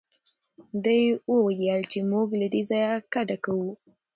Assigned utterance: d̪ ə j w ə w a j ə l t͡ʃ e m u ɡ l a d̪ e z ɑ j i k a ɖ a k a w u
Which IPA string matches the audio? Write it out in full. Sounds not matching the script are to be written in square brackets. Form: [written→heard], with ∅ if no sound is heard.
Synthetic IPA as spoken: d̪ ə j w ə w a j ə l t͡ʃ e m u ɡ l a d̪ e z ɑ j [i→a] k a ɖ a k a w u